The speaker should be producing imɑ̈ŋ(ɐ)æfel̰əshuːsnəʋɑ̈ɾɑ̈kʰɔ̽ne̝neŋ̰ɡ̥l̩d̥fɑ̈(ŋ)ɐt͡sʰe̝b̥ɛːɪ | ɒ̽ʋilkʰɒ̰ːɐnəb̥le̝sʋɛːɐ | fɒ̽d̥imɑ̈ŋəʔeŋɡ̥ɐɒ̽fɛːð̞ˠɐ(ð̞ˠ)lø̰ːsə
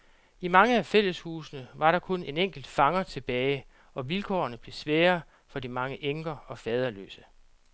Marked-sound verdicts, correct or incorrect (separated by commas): incorrect, correct, incorrect